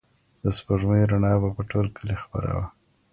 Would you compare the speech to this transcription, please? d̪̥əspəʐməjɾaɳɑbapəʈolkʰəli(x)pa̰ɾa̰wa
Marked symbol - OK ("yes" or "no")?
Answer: yes